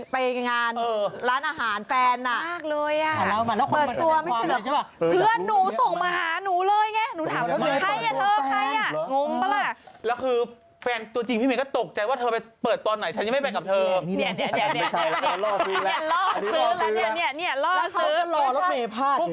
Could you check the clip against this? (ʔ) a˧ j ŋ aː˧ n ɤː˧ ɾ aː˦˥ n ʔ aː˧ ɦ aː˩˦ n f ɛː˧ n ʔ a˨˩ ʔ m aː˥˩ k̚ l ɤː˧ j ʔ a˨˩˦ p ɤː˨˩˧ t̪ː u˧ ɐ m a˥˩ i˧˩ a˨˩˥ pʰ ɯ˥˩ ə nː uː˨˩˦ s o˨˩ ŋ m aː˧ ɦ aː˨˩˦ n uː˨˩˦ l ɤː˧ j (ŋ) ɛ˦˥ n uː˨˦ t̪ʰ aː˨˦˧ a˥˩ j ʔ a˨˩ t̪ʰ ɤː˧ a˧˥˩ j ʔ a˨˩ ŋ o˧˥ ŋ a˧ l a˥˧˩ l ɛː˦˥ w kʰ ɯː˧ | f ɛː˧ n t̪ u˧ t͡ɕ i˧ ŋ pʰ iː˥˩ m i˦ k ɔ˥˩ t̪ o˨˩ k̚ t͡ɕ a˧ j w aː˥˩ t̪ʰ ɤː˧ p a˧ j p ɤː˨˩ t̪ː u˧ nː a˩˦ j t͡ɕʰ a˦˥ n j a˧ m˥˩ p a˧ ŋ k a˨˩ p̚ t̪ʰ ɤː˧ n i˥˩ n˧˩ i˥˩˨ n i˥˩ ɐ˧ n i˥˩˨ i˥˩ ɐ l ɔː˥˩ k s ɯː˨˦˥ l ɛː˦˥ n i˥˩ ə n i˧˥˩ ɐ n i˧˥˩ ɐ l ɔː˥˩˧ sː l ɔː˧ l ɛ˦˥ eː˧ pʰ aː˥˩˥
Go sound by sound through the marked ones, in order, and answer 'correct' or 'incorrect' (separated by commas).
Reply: incorrect, correct